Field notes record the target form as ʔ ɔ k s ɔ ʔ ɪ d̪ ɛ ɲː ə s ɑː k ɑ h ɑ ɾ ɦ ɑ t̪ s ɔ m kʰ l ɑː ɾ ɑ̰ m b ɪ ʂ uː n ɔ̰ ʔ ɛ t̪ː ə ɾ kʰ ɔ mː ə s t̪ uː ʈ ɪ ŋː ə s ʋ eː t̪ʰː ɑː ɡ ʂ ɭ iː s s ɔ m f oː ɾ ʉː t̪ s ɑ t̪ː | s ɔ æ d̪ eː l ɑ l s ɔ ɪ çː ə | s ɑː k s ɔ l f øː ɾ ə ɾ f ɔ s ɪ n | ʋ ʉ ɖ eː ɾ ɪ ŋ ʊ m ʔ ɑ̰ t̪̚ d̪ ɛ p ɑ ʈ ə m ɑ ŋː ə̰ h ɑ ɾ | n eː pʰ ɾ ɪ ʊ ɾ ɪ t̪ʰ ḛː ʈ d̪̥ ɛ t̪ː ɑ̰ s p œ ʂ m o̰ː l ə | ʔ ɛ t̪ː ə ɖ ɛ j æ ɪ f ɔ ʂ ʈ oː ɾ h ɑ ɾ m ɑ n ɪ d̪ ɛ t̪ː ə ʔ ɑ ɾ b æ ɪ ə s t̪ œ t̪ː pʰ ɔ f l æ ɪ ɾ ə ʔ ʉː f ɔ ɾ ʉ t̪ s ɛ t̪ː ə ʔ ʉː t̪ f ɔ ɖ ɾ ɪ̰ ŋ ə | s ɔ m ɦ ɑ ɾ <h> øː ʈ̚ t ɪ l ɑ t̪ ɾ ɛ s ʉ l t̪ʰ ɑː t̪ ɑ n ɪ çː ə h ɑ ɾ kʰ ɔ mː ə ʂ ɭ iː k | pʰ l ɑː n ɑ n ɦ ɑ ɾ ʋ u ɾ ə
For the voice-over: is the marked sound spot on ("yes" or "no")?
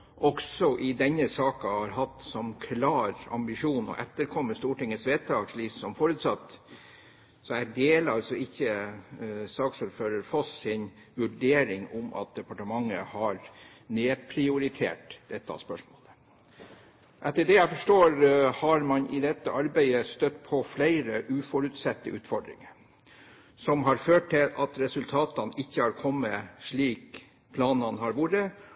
no